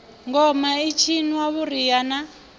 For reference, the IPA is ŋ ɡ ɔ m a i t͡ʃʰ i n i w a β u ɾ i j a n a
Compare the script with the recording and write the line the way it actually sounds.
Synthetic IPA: ŋ ɡ ɔ m a i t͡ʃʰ i n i w a β u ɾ i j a n a